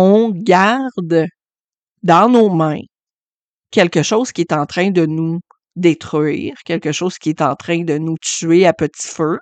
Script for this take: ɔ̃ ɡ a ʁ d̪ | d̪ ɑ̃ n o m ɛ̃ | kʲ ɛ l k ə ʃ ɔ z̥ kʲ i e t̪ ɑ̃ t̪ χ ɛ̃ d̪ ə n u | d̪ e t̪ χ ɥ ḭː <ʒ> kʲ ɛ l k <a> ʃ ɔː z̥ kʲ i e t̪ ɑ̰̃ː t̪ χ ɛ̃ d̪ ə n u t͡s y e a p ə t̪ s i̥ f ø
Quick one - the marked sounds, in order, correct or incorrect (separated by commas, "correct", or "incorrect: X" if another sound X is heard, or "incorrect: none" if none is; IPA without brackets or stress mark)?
incorrect: ʁ, incorrect: ə